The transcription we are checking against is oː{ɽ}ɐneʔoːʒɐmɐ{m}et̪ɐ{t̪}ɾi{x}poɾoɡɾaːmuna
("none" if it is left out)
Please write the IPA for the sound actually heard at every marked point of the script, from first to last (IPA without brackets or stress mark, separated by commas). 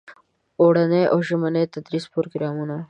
ɽ, n, d̪, s